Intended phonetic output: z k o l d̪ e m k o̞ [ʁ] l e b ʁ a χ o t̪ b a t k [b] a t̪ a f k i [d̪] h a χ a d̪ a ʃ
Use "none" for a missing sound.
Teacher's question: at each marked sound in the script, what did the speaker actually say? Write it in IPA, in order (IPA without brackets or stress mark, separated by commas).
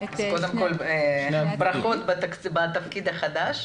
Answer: none, b, d̪